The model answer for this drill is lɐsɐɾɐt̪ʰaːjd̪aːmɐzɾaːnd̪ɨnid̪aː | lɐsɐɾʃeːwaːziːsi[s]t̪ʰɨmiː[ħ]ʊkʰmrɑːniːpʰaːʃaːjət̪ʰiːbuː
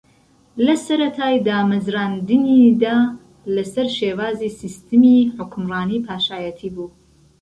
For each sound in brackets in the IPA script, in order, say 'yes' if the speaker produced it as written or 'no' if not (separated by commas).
yes, yes